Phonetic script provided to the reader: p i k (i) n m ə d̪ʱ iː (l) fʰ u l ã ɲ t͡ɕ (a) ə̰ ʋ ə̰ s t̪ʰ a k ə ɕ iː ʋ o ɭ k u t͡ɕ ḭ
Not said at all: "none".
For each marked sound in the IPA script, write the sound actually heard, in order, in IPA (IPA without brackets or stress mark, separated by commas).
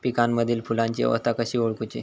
a, l, i